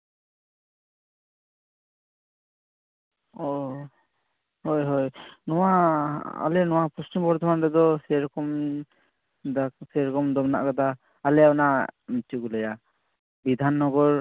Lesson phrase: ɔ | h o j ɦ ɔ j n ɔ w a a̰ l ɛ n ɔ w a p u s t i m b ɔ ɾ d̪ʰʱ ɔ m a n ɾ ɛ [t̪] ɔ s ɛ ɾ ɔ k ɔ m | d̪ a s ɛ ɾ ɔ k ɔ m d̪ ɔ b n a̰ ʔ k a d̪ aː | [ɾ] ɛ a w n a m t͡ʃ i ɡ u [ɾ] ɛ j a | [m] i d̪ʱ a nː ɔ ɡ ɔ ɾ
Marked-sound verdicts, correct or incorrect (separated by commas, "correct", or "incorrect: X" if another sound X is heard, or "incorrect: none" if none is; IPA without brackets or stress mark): incorrect: d̪, incorrect: l, incorrect: l, incorrect: b